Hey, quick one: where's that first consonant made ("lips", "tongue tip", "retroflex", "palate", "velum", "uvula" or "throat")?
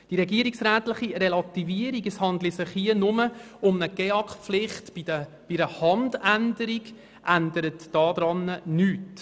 tongue tip